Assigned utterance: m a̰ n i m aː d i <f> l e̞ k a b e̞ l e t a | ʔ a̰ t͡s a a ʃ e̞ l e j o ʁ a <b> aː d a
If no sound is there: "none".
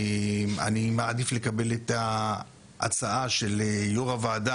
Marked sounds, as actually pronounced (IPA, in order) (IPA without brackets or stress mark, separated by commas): f, v